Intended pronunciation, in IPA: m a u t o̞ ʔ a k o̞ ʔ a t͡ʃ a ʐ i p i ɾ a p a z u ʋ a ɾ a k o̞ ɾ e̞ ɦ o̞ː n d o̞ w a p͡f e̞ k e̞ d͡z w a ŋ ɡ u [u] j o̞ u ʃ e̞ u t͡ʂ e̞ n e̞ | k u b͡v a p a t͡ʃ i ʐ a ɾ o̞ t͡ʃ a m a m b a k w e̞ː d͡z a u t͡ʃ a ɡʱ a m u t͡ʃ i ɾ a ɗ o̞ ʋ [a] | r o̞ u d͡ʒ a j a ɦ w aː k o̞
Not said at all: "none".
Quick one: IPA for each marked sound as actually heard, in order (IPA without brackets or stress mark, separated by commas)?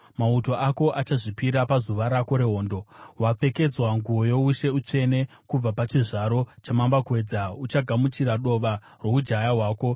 o, a